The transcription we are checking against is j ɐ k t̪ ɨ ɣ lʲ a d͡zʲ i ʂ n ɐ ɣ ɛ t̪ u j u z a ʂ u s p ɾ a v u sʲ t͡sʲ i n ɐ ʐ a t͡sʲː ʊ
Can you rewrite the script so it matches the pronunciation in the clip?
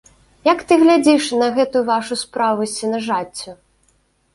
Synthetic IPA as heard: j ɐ k t̪ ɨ ɣ lʲ a d͡zʲ i ʂ n ɐ ɣ ɛ t̪ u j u v a ʂ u s p ɾ a v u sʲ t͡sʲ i n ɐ ʐ a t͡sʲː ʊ

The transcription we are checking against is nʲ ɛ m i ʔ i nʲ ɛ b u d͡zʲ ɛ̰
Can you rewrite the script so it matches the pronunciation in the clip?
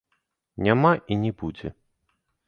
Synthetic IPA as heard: nʲ a m a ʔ i nʲ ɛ b u d͡zʲ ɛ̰

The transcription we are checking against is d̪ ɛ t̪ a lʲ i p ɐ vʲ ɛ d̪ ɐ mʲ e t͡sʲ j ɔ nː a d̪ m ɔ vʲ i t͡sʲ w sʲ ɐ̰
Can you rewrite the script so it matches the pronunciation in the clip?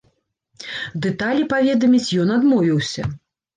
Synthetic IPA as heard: d̪ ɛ t̪ a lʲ i p a vʲ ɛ d̪ ɐ mʲ i t͡sʲ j ɔ n a d̪ m ɔ vʲ i w sʲ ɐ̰

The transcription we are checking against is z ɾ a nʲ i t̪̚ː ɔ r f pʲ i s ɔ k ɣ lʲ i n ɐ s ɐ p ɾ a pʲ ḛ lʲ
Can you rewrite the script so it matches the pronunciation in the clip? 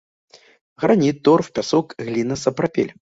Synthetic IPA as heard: ɣ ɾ a nʲ i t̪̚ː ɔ r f pʲ a s ɔ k ɣ lʲ i n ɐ s ɐ p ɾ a pʲ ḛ lʲ

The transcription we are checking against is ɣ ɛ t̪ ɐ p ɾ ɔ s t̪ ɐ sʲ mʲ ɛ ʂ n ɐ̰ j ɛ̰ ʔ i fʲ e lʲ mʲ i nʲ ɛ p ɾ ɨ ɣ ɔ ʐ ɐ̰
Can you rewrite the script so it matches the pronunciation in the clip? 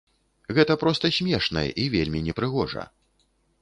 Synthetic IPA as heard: ɣ ɛ t̪ ɐ p ɾ ɔ s t̪ ɐ sʲ mʲ ɛ ʂ n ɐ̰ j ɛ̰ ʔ i vʲ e lʲ mʲ i nʲ ɛ p ɾ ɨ ɣ ɔ ʐ ɐ̰

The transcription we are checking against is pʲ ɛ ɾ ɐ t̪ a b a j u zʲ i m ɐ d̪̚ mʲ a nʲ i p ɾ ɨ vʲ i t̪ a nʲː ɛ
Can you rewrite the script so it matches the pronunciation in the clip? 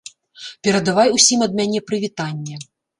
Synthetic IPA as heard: pʲ ɛ ɾ ɐ d̪ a v a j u sʲ i m ɐ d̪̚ mʲ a nʲ ɛ p ɾ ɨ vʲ i t̪ a nʲː ɛ

